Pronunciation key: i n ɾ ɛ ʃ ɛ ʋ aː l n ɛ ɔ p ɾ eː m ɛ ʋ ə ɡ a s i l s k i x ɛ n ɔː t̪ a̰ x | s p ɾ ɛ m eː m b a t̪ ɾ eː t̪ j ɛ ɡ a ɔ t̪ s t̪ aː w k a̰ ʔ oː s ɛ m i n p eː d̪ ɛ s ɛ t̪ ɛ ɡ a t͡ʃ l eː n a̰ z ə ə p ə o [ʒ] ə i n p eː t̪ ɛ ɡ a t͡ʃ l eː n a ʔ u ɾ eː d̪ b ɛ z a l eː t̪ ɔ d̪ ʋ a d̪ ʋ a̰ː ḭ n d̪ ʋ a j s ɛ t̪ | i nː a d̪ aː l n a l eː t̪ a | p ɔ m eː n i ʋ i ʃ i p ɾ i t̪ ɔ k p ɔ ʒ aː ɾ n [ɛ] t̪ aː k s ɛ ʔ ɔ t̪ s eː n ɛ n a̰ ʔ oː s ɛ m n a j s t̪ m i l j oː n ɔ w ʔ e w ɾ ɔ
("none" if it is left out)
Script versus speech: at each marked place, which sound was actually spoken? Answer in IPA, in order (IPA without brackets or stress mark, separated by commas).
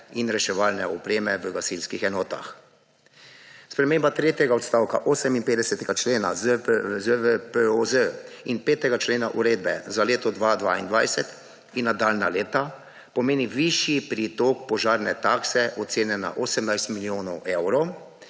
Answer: z, ɛ